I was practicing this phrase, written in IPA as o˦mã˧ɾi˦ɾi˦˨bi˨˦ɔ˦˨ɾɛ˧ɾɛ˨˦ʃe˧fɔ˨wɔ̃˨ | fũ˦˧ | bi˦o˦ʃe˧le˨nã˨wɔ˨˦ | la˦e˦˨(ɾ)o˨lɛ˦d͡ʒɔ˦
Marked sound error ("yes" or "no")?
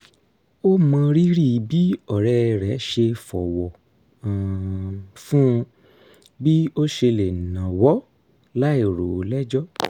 no